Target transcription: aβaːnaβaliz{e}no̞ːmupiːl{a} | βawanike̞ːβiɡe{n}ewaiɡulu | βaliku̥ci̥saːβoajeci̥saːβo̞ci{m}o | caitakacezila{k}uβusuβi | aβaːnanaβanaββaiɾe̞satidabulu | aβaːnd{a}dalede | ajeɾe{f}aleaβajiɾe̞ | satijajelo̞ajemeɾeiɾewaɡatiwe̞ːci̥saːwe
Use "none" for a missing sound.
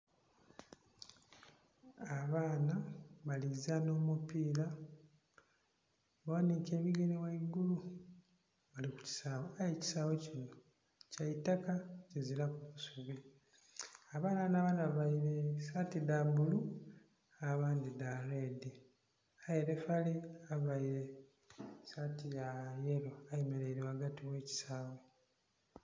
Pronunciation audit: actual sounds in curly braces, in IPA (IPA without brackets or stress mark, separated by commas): a, a, n, n, k, i, f